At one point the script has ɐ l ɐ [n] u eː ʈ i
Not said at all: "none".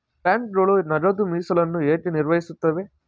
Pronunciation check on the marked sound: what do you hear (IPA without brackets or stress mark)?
nː